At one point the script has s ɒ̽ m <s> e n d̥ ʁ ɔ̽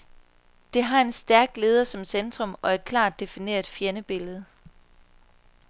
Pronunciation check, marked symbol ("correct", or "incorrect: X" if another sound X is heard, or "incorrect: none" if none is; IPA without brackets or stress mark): correct